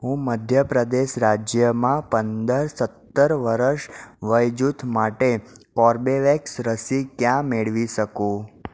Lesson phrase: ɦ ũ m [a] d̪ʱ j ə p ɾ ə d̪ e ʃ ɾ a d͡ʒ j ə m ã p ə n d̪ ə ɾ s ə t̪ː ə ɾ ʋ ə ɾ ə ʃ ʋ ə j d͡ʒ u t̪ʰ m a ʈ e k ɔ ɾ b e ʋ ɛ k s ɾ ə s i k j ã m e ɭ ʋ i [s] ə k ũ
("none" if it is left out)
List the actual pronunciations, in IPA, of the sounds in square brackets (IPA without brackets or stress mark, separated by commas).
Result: ə, ʃ